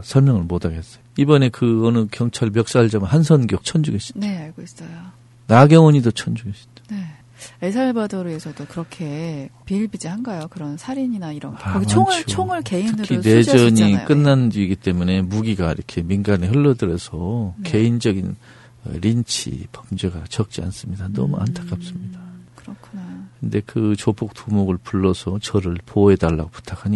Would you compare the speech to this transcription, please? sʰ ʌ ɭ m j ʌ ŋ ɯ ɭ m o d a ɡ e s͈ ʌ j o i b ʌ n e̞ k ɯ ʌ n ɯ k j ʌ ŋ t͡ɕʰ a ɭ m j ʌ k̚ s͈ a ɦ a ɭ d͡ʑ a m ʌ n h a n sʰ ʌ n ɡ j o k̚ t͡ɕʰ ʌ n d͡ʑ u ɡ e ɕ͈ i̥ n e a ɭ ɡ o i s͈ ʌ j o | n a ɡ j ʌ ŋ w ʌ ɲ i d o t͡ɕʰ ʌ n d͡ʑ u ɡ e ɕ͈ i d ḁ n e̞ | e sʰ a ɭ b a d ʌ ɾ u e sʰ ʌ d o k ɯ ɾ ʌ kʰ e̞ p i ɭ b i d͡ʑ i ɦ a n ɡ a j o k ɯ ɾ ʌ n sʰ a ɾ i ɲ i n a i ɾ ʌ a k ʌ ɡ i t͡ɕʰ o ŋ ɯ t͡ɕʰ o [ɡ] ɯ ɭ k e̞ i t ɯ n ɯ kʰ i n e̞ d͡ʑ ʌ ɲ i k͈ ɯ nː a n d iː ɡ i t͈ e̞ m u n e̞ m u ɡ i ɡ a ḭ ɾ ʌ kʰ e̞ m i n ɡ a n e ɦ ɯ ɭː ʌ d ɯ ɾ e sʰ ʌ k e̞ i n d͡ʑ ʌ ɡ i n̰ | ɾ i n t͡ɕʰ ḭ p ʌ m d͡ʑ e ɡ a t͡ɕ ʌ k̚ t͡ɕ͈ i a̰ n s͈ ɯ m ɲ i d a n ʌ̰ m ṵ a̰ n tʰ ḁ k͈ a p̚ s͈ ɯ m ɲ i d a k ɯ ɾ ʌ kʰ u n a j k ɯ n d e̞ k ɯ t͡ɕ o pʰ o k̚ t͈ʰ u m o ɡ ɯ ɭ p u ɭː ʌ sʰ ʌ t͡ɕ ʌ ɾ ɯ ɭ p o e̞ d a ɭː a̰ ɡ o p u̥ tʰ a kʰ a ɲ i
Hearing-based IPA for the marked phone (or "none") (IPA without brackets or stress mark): ŋ